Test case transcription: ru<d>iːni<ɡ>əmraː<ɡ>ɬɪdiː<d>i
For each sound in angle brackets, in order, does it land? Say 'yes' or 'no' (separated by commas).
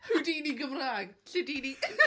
yes, yes, yes, no